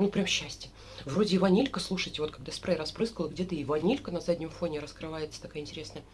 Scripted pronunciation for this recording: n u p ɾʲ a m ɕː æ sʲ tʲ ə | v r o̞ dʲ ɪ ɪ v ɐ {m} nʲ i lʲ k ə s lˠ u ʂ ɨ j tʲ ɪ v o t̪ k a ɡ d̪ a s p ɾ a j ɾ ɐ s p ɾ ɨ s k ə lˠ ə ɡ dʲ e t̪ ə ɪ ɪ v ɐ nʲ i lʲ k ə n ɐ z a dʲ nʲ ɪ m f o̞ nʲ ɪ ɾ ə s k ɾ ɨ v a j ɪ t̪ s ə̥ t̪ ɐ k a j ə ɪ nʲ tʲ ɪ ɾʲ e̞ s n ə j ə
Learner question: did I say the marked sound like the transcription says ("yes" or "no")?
no